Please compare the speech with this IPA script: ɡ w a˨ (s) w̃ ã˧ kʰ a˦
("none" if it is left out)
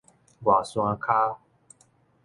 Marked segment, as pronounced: s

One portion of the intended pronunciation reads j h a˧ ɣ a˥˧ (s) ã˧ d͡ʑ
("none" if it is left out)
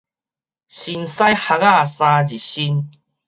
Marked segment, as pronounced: s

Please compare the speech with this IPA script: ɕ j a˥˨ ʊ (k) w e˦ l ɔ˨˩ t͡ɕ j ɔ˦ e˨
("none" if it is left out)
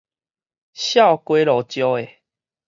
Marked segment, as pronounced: k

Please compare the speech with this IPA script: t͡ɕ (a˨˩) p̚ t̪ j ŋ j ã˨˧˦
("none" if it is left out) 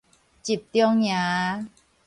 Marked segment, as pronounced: i˨˩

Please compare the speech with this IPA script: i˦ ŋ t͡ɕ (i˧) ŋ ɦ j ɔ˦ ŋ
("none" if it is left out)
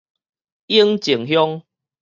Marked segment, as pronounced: i˨˩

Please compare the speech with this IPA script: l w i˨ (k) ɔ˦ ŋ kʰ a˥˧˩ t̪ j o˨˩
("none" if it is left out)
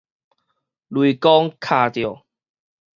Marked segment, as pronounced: k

